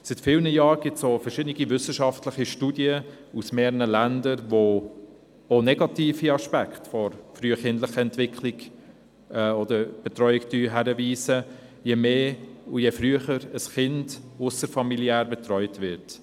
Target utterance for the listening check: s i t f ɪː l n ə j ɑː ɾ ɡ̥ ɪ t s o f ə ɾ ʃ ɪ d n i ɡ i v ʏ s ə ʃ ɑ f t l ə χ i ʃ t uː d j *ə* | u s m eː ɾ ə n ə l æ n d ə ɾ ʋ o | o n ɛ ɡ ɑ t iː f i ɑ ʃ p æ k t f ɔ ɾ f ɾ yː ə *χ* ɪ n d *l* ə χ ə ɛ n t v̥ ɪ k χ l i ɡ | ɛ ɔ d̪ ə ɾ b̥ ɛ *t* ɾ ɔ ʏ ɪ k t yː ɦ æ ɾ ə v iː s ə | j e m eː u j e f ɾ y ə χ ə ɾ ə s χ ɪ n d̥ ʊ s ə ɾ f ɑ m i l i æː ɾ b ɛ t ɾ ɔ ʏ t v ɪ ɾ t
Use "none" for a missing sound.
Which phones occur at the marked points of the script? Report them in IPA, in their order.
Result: ə, χ, l, t

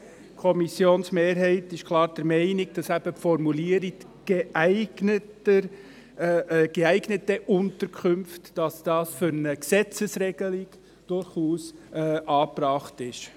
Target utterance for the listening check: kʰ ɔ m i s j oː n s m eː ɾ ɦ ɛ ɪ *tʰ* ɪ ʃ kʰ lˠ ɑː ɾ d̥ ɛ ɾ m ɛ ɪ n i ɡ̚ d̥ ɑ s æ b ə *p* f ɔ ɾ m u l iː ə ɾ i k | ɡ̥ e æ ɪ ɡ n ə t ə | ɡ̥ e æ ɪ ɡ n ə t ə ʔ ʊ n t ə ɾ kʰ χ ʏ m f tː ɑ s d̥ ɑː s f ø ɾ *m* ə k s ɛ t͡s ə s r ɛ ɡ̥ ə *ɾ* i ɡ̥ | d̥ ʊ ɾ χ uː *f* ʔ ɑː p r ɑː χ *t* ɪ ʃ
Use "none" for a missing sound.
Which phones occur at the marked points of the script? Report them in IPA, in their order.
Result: t, p, n, l, s, t

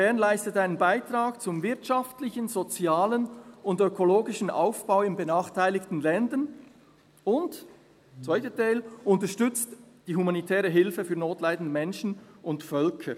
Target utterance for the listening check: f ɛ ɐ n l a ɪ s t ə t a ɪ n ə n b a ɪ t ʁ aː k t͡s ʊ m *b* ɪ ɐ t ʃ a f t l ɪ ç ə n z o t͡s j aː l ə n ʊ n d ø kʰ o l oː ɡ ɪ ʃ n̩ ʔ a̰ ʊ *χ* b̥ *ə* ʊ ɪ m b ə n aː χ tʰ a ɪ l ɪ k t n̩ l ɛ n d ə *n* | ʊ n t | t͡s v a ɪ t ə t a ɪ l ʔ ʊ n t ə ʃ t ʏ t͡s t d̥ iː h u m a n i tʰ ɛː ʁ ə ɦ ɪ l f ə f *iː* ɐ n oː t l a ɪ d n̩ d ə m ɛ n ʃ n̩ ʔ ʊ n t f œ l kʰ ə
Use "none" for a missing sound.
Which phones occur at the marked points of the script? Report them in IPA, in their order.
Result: v, f, a, n, yː

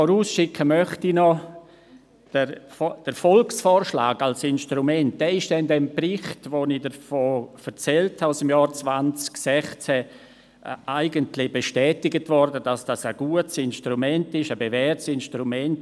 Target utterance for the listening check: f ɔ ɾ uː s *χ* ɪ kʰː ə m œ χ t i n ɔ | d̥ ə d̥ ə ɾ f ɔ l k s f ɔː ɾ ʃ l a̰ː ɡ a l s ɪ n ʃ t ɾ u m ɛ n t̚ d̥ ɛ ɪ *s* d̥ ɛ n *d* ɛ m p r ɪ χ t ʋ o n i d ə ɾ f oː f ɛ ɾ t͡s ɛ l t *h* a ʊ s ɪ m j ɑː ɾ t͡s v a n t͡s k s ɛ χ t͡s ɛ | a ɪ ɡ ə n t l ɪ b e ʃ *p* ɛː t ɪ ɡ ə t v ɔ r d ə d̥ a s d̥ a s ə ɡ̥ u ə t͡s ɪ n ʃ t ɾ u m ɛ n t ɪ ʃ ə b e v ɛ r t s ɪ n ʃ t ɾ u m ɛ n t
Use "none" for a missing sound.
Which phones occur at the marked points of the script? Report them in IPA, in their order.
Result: ʃ, ʃ, d, h, t

